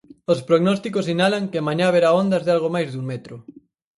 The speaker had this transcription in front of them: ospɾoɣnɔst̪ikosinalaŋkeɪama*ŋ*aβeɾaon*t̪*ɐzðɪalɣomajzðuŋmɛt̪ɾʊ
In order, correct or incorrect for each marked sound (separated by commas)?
incorrect, incorrect